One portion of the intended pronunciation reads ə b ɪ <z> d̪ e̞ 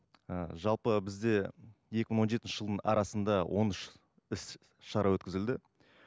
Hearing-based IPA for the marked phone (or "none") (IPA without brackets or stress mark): z